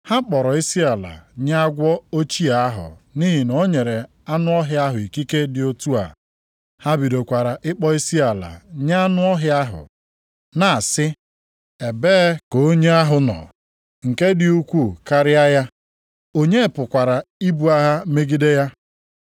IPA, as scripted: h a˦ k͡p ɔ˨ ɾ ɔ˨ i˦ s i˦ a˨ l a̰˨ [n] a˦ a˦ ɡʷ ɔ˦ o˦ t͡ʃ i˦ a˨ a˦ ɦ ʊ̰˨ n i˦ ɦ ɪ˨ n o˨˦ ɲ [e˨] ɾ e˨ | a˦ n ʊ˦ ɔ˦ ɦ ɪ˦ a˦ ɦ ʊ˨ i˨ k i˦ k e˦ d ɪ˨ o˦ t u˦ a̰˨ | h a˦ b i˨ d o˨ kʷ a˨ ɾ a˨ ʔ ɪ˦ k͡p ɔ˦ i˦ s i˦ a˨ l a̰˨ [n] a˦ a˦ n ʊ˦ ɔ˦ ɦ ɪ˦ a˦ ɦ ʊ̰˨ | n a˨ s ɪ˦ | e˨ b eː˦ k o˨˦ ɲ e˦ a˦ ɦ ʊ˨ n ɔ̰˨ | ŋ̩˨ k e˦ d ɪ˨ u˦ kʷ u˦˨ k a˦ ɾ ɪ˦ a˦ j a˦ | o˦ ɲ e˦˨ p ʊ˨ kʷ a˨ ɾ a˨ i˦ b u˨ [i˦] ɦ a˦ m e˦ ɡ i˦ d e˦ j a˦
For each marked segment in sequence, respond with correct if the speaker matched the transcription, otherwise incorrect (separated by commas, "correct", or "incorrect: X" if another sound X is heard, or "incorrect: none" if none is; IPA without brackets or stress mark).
incorrect: ɲ, correct, incorrect: ɲ, incorrect: a˦